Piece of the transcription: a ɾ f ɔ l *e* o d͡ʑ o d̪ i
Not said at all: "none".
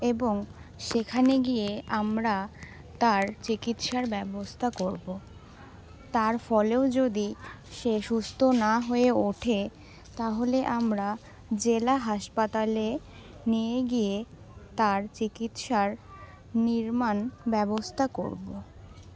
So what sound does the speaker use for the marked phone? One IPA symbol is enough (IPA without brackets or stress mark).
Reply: e